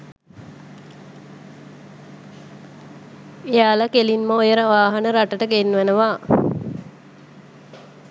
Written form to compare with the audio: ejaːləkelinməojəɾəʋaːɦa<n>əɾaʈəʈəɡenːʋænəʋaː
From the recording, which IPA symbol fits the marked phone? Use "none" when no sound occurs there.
n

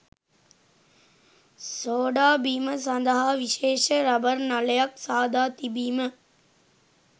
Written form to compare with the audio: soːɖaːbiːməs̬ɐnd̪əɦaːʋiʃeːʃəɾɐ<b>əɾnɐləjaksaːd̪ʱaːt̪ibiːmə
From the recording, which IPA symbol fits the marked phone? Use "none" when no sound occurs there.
b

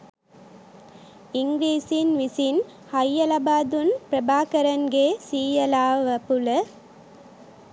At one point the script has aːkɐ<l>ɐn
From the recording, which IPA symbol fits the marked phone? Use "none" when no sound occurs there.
ɾ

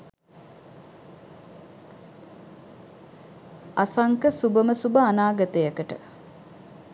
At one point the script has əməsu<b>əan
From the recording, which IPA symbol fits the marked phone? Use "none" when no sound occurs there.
b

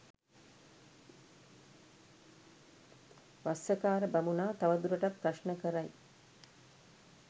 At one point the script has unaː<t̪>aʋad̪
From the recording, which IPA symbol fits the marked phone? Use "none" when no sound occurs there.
t̪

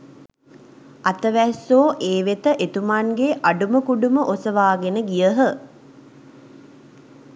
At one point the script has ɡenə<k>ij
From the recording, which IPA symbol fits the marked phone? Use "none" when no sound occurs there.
ɡ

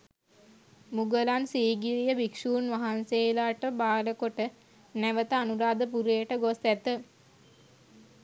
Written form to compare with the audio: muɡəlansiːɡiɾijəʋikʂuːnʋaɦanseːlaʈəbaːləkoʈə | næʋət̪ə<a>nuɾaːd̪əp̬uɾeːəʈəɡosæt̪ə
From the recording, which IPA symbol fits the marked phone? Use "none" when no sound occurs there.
a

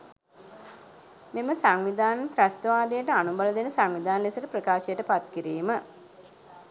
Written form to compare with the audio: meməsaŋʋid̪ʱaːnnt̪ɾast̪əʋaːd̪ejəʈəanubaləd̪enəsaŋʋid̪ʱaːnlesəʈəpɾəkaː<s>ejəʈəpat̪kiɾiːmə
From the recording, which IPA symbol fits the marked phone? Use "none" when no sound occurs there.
ʃ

